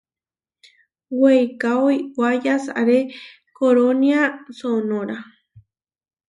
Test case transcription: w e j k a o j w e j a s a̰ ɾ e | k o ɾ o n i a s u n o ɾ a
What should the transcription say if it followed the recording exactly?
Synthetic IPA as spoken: w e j k a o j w a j a s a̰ ɾ e | k o ɾ o n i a s o n o ɾ a

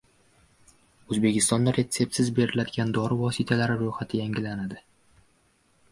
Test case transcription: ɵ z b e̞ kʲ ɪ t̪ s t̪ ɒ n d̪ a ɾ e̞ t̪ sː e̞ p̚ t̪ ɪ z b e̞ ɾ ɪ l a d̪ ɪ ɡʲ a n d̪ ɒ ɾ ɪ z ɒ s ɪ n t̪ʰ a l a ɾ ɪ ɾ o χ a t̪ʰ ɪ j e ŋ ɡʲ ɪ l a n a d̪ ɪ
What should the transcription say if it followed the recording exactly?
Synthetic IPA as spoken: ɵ z b e̞ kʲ ɪ s t̪ ɒ n d̪ a ɾ e̞ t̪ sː e̞ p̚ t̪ ɪ z b e̞ ɾ ɪ l a d̪ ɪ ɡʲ a n d̪ ɒ ɾ ɪ v ɒ s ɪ t̪ʰ a l a ɾ ɪ ɾ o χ a t̪ʰ ɪ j a ŋ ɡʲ ɪ l a n a d̪ ɪ

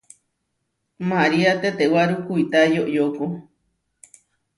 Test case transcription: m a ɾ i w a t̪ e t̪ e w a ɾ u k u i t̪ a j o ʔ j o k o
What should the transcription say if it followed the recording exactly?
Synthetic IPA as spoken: m a ɾ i a t̪ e t̪ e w a ɾ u k u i t̪ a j o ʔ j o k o

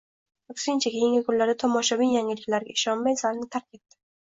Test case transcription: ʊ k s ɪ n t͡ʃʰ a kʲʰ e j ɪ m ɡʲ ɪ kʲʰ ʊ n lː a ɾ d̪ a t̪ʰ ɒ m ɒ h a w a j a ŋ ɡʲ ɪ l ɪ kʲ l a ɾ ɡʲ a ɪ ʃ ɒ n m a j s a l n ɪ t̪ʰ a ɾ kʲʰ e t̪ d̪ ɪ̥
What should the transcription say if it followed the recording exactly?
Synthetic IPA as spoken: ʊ k s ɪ n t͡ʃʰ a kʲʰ e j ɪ ŋ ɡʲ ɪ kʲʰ ʊ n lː a ɾ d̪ a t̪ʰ ɒ m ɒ ʃ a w i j a ŋ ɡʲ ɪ l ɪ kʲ l a ɾ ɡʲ a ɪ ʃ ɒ n m a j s a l n ɪ t̪ʰ a ɾ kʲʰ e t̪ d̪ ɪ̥

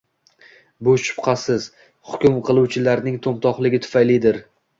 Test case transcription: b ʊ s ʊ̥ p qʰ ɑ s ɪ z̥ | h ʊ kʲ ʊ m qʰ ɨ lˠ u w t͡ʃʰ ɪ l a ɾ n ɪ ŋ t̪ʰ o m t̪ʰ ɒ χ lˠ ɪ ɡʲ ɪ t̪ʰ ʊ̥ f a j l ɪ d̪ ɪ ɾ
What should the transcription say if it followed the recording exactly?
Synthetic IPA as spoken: b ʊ ʃ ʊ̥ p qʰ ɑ s ɪ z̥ | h ʊ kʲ ʊ m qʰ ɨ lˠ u w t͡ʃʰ ɪ l a ɾ n ɪ ŋ t̪ʰ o m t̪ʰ ɒ χ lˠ ɪ ɡʲ ɪ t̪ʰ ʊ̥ f a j l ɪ d̪ ɪ ɾ

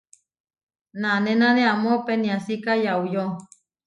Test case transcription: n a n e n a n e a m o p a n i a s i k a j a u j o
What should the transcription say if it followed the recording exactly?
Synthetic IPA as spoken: n a n e n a n e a m o p e n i a s i k a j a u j o

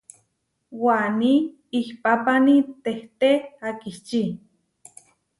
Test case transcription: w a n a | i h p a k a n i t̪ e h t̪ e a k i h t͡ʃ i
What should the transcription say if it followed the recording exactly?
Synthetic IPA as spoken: w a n i | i h p a p a n i t̪ e h t̪ e a k i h t͡ʃ i

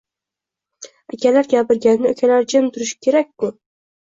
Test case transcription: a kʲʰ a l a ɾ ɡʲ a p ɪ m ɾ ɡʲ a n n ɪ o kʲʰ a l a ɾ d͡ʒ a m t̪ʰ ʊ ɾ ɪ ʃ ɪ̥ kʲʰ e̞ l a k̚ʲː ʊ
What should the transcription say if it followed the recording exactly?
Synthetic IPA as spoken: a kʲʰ a l a ɾ ɡʲ a p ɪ ɾ ɡʲ a n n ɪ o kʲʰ a l a ɾ d͡ʒ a m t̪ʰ ʊ ɾ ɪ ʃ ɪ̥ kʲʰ e̞ ɾ a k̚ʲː ʊ

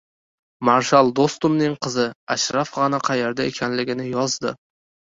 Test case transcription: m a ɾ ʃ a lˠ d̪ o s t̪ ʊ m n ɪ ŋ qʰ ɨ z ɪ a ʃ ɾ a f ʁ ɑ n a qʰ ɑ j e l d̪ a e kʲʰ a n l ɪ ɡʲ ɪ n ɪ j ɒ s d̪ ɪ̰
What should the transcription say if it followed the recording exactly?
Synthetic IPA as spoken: m a ɾ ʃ a lˠ d̪ o s t̪ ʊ m n ɪ ŋ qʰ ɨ z ɪ a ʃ ɾ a f ʁ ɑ n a qʰ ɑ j e ɾ d̪ a e kʲʰ a n l ɪ ɡʲ ɪ n ɪ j ɒ z d̪ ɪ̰

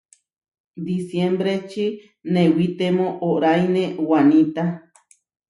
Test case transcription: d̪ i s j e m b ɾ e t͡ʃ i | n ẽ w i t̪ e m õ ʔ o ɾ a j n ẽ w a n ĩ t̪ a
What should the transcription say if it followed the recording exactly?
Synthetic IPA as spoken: d̪ i s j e m b ɾ e t͡ʃ i | n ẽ w i t̪ e m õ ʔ o ɾ a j n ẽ w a n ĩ t̪ a

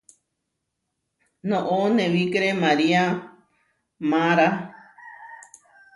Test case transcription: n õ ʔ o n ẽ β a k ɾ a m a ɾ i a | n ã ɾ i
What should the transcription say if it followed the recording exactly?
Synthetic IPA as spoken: n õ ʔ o n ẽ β i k ɾ e m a ɾ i a | m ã ɾ a

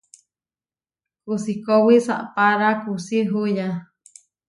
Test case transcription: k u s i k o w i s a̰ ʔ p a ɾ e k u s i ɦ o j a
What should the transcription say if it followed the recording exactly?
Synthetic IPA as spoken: k u s i k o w i s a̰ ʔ p a ɾ a k u s i ɦ u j a

